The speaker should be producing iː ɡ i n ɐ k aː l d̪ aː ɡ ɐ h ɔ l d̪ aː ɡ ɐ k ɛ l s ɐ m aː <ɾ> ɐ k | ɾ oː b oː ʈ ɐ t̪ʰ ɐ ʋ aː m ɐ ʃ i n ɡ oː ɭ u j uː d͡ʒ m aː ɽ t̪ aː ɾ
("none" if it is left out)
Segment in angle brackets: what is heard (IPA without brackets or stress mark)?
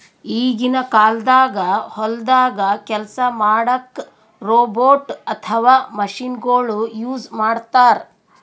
ɽ